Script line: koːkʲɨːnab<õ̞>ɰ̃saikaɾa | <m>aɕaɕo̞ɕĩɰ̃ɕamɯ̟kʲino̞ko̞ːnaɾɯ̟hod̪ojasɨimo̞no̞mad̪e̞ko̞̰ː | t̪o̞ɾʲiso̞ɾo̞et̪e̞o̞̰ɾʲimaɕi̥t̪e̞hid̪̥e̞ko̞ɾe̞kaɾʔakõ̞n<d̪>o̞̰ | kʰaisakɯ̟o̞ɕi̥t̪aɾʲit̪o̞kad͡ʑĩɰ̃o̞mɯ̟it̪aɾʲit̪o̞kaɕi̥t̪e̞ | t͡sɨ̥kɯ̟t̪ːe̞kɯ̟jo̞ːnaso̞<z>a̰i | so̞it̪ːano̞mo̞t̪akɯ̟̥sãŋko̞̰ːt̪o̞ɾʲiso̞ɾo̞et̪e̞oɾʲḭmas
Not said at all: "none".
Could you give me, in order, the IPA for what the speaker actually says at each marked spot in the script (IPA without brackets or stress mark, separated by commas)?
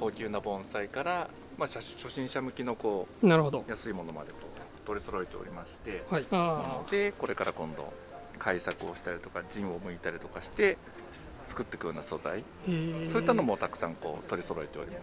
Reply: õ̞, m, d̪, z